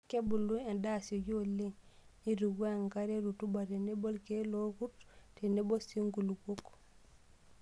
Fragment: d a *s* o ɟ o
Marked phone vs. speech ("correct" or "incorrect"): correct